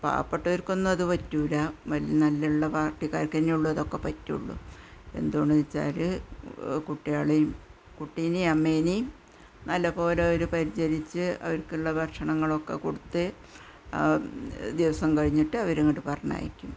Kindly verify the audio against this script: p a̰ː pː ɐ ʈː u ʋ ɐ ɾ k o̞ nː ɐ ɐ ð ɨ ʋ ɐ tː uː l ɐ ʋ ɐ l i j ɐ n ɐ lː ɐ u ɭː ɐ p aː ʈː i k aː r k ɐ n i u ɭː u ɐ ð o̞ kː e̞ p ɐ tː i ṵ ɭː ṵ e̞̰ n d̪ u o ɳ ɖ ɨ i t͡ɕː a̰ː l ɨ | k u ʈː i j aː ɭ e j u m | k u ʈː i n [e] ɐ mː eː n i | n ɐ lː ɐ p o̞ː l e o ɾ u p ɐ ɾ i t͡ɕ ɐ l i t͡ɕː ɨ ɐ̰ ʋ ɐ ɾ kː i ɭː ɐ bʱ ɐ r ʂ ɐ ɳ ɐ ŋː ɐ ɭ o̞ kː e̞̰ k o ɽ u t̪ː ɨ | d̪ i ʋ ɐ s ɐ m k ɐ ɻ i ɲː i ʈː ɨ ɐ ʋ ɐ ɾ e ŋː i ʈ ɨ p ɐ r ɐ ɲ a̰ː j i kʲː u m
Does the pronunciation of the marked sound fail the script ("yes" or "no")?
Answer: yes